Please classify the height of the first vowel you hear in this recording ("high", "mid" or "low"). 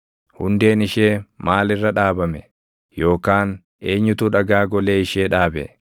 high